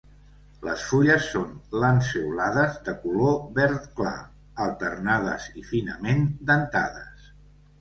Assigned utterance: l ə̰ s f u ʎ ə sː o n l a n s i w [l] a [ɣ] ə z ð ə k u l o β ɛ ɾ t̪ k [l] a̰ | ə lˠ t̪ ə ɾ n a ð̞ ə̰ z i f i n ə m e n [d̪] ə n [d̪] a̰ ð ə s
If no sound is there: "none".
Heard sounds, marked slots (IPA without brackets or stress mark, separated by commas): l, ð, l, d̪, t̪